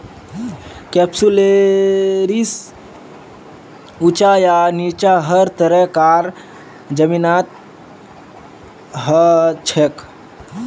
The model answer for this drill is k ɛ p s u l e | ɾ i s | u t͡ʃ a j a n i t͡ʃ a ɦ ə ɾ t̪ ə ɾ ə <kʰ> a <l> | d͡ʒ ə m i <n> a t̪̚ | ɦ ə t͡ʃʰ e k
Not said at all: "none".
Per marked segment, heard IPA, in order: k, ɾ, n

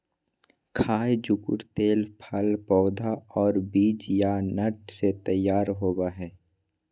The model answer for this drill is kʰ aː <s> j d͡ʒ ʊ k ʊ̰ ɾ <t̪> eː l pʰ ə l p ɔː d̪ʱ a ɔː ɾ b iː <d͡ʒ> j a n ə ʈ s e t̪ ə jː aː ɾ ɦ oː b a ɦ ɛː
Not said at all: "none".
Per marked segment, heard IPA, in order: none, t̪, d͡ʒ

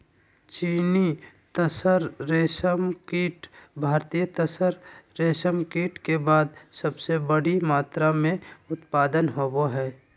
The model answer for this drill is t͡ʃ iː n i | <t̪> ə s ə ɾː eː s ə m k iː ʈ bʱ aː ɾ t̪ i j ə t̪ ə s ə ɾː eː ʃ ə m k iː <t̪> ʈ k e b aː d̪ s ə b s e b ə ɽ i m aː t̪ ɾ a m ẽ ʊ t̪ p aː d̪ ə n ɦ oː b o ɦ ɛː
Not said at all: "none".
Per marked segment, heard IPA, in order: t̪, none

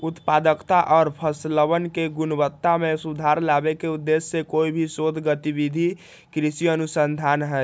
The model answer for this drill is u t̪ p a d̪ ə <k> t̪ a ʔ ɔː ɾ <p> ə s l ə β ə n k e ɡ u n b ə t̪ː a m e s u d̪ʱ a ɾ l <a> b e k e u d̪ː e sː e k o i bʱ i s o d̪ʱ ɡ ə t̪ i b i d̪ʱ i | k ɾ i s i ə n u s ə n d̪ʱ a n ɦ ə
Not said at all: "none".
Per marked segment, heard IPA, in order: k, pʰ, a

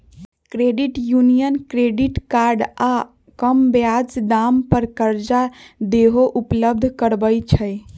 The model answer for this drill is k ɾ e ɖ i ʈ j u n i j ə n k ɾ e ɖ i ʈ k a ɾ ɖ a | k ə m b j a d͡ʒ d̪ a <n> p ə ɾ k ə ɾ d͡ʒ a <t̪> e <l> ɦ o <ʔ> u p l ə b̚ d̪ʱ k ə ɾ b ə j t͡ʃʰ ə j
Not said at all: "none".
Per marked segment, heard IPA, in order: m, d̪, none, ʔ

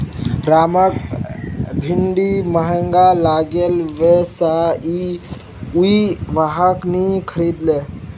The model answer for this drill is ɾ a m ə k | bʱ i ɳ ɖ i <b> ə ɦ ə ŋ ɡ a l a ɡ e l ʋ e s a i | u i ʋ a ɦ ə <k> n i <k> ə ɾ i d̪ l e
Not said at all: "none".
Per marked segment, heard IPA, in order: m, k, kʰ

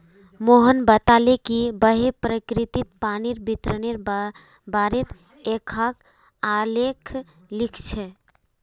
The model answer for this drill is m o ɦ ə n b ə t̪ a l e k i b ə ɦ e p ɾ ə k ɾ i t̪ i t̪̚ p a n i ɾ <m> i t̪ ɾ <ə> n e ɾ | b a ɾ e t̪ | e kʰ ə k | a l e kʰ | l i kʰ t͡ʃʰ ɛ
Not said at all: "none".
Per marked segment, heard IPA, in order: b, ə

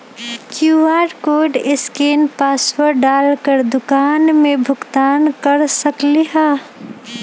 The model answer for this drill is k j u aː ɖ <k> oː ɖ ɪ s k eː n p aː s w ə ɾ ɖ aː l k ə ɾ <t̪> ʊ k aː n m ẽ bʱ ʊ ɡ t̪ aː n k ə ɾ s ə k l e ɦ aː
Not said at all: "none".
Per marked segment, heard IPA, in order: k, d̪

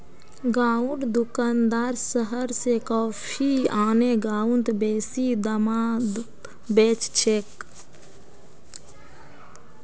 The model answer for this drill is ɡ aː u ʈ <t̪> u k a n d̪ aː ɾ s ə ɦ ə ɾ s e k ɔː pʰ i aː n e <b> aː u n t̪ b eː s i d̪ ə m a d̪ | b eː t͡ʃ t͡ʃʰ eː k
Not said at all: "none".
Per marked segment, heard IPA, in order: d̪, ɡ

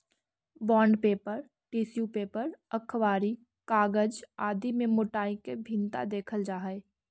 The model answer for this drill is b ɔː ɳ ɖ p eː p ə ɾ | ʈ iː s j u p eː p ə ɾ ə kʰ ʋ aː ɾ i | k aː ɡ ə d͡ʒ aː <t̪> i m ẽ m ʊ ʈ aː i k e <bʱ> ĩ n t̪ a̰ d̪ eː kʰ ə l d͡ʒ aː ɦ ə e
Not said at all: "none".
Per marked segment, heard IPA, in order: d̪, bʱ

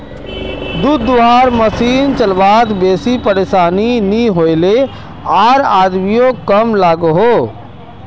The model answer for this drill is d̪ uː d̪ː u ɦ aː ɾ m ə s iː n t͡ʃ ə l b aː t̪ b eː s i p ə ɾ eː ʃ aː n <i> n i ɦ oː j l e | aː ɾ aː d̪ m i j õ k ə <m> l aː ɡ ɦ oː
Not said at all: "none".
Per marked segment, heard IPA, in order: i, m

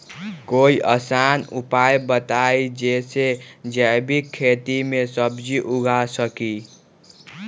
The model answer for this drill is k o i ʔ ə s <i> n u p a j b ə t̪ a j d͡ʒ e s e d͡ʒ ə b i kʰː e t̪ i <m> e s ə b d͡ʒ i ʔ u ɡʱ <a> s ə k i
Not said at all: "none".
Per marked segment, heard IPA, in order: a, m, a

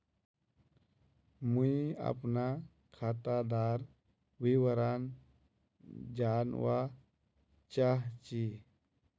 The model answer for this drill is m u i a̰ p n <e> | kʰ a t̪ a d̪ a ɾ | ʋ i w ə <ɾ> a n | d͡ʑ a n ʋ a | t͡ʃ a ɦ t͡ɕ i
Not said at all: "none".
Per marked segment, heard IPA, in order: a, ɾ

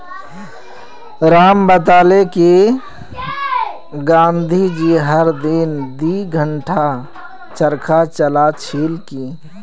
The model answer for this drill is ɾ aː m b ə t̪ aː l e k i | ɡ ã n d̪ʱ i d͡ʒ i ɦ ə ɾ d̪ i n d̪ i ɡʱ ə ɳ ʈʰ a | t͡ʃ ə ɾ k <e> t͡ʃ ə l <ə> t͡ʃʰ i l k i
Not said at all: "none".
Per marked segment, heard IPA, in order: a, a

